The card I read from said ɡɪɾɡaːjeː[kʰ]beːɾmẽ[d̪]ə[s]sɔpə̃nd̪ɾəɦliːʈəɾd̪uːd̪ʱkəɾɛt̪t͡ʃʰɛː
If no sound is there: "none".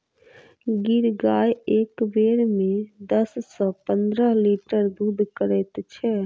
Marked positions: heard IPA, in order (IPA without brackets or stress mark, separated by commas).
k, d̪, s